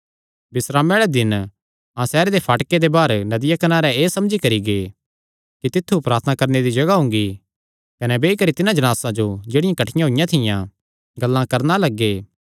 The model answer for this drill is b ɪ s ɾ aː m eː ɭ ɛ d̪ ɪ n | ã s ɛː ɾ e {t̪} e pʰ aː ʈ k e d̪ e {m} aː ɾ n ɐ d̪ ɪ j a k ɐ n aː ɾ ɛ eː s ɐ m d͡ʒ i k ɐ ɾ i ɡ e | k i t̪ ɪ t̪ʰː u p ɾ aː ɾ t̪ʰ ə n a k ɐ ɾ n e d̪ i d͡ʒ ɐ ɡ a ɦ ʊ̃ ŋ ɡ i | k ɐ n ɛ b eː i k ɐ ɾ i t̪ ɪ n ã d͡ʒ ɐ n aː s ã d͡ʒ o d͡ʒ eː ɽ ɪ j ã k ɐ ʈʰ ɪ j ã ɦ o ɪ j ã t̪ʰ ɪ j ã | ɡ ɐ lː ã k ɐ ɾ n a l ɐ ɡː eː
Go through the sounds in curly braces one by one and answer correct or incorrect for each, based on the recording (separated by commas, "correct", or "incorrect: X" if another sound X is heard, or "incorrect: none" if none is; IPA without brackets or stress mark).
incorrect: d̪, incorrect: b